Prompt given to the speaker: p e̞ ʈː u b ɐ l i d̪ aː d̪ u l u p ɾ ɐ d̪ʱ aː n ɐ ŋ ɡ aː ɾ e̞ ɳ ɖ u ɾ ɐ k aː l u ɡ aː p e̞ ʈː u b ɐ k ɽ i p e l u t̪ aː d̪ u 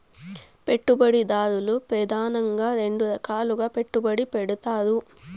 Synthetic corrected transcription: p e̞ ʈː u b ɐ ɽ i d̪ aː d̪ u l u p ɾ ɐ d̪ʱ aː n ɐ ŋ ɡ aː ɾ e̞ ɳ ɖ u ɾ ɐ k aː l u ɡ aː p e̞ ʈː u b ɐ ɽ i p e ɽ u t̪ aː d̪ u